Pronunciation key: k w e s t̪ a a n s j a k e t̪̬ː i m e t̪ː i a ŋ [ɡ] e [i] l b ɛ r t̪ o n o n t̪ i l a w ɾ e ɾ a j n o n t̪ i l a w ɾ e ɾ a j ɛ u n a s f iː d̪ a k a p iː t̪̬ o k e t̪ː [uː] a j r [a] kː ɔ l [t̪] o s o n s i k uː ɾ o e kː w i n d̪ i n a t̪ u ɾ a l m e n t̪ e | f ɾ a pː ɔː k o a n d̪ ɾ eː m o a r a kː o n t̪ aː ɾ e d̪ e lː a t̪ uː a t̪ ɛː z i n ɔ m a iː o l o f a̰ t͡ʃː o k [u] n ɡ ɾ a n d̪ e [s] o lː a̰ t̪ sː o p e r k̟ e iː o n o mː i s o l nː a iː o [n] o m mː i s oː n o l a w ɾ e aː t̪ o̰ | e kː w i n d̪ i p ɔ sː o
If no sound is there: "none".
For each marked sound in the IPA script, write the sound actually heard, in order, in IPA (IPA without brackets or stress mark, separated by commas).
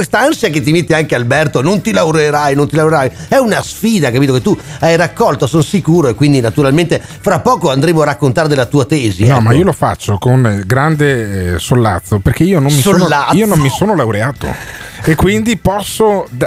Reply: k, a, u, a, t̪, o, s, n